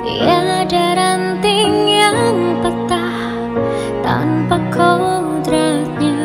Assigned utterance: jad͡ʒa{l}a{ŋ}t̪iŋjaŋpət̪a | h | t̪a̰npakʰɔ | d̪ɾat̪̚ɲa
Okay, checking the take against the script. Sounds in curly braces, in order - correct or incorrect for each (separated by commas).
incorrect, incorrect